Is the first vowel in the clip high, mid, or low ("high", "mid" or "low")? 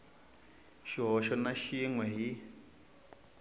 high